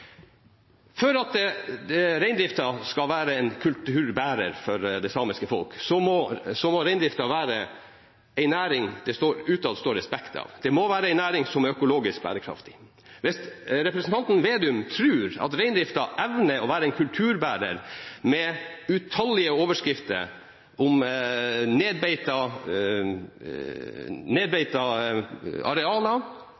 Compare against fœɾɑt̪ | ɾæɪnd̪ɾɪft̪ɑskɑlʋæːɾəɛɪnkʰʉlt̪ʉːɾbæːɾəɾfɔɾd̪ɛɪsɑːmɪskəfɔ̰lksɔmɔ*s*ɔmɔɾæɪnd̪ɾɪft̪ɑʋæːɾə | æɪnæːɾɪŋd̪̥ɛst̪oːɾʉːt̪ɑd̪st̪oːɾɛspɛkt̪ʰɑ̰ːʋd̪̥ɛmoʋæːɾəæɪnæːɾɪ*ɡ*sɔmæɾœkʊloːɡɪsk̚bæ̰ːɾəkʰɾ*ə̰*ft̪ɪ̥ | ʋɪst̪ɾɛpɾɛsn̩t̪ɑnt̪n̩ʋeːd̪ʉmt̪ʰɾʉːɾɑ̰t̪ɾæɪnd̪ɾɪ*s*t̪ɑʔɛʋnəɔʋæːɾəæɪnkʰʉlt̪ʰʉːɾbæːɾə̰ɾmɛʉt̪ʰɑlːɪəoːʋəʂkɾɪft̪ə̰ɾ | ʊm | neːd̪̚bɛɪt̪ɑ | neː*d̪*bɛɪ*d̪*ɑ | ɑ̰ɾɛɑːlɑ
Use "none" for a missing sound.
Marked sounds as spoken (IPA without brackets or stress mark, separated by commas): s, ŋ, ɑ̰, f, d̪, t̪